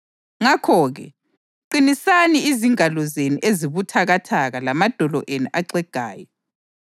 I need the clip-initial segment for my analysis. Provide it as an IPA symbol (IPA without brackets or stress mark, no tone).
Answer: ŋ